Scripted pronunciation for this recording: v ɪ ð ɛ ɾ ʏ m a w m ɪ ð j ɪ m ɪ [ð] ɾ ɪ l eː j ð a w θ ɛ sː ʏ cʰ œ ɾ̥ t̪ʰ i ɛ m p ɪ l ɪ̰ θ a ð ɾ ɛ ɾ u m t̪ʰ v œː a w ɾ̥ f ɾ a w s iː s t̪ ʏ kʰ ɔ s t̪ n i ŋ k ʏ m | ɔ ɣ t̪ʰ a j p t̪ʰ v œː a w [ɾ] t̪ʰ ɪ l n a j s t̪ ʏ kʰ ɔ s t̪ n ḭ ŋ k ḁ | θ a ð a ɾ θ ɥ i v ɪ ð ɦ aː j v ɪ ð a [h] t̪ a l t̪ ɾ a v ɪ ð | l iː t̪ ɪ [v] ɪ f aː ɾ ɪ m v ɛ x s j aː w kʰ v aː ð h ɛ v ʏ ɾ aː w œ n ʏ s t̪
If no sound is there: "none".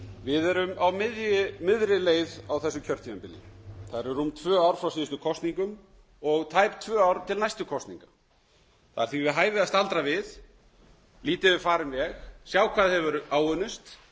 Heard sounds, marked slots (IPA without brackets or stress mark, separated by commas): ð, ɾ, s, v